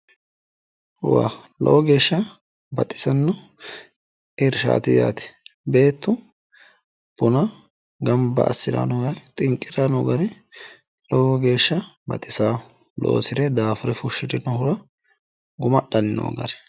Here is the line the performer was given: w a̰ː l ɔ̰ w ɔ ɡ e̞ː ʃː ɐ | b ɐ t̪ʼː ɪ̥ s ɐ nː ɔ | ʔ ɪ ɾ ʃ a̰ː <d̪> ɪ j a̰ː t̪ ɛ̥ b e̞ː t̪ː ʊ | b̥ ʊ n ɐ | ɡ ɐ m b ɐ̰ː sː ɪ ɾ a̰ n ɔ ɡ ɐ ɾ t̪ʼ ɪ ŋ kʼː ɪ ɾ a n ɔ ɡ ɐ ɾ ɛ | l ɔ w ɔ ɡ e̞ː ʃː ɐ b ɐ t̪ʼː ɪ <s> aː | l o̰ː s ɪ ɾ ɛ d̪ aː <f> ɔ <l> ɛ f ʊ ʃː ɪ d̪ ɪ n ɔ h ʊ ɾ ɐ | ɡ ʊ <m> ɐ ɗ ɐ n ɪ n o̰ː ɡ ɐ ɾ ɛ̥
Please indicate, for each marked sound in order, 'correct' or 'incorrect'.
incorrect: t̪, correct, correct, incorrect: ɾ, correct

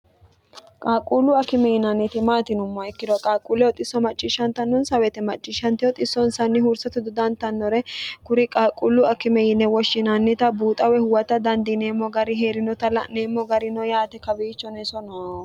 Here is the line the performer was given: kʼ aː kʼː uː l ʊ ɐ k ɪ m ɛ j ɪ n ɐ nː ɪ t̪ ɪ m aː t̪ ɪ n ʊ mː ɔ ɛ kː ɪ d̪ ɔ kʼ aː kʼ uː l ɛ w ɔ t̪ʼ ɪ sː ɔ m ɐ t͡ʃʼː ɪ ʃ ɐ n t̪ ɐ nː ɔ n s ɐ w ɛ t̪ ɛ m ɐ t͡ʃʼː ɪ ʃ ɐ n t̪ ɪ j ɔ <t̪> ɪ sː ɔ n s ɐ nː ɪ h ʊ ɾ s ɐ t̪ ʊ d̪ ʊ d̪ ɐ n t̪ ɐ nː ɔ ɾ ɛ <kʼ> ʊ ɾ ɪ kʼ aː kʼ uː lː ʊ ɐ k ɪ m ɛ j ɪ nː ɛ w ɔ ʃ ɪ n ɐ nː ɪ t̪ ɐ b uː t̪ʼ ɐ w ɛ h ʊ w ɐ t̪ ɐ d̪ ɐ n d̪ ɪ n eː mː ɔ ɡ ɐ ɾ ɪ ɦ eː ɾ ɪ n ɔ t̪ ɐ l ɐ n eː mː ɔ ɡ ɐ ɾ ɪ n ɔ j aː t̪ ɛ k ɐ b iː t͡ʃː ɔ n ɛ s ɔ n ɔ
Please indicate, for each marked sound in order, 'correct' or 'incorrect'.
incorrect: t̪ʼ, incorrect: k

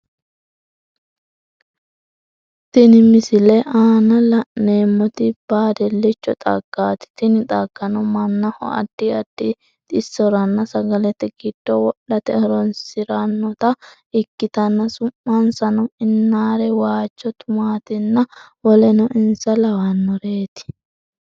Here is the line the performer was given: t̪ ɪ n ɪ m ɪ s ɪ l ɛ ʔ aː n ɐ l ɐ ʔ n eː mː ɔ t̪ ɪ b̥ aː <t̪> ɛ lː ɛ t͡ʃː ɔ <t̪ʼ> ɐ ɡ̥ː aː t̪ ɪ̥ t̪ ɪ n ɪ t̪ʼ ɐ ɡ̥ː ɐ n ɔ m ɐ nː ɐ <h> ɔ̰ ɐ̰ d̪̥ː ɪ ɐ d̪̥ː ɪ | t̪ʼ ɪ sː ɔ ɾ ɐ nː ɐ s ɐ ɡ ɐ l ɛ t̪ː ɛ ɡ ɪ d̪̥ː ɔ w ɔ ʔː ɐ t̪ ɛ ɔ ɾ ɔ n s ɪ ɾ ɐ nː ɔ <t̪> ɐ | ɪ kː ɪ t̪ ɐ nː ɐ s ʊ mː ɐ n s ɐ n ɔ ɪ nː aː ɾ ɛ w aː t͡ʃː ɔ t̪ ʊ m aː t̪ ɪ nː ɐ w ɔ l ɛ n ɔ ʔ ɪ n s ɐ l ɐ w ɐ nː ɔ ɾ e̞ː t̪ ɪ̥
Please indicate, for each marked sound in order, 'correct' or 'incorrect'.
incorrect: d̪, correct, correct, correct

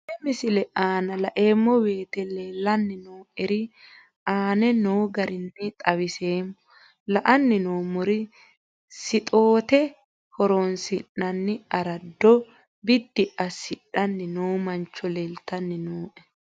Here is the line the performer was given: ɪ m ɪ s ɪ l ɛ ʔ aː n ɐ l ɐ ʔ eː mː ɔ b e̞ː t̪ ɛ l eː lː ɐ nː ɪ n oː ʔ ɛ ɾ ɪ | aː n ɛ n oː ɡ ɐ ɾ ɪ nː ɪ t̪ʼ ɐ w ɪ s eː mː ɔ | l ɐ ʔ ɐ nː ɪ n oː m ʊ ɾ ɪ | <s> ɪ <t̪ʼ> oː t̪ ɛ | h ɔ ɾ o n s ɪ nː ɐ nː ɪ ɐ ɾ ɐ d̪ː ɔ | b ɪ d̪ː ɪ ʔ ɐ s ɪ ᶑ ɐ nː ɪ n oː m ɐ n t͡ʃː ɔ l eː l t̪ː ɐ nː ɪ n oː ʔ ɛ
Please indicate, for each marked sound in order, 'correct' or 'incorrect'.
correct, correct

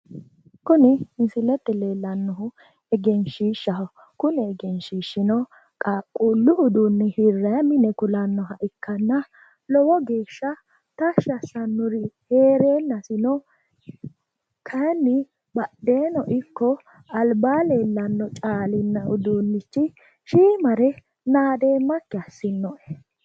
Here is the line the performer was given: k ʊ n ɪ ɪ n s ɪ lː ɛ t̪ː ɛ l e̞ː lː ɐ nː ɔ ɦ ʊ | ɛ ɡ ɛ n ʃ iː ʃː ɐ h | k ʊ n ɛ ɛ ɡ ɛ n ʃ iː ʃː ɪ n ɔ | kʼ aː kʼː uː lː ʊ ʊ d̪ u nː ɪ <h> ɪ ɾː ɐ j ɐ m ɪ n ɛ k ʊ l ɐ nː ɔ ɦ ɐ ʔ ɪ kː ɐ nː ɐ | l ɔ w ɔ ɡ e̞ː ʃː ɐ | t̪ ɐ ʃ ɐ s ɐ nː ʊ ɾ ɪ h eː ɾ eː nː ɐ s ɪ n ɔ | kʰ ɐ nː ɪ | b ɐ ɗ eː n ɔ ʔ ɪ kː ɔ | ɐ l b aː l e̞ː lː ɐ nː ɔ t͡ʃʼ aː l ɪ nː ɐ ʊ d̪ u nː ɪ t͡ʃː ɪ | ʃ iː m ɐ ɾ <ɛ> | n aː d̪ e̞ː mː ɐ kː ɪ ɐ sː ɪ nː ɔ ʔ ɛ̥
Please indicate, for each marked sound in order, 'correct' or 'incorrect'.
correct, correct

